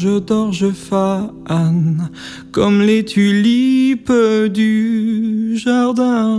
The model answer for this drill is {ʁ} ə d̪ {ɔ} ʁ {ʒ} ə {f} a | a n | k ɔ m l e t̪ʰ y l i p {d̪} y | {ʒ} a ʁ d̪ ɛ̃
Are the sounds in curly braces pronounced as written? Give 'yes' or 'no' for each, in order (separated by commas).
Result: no, yes, yes, yes, yes, yes